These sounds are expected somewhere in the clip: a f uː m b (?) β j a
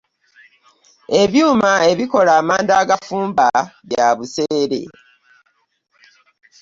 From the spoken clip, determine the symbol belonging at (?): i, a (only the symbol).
a